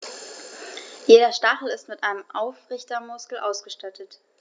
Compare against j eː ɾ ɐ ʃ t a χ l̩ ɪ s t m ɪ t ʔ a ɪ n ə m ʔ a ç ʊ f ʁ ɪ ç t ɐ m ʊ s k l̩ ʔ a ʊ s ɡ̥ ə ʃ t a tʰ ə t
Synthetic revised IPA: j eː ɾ ɐ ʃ t a χ l̩ ɪ s t m ɪ t ʔ a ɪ n ə m ʔ a ʊ f ʁ ɪ ç t ɐ m ʊ s k l̩ ʔ a ʊ s ɡ̥ ə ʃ t a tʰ ə t